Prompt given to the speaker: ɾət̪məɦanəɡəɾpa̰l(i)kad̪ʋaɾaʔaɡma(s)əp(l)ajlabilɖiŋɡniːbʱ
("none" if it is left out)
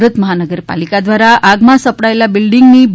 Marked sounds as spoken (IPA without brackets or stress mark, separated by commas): i, s, ɽ